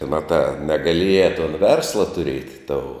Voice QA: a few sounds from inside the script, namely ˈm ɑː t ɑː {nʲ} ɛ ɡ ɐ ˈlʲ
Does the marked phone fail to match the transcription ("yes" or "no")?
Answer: no